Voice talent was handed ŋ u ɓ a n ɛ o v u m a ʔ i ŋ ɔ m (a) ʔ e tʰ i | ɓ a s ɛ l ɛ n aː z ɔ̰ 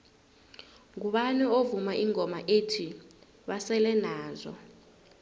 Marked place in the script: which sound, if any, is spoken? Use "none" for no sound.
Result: a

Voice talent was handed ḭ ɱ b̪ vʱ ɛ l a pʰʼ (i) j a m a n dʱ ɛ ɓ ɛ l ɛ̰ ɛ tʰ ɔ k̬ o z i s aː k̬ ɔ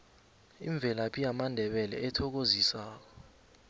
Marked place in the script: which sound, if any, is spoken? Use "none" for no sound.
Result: i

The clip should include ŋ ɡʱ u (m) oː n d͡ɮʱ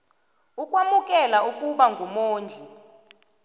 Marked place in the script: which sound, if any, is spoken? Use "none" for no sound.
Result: m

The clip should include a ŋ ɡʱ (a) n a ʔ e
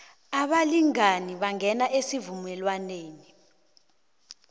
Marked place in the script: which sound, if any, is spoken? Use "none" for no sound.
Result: ɛ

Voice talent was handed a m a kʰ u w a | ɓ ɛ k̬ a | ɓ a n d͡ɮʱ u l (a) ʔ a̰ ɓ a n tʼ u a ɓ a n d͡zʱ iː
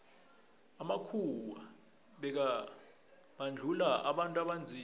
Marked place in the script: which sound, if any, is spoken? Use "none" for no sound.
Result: a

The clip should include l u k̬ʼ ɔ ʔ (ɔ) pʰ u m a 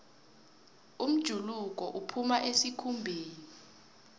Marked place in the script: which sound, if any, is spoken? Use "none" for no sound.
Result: u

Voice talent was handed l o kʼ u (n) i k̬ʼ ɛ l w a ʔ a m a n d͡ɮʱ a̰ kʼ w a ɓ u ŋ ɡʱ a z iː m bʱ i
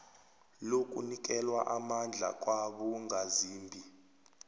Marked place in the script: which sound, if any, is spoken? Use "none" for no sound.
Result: n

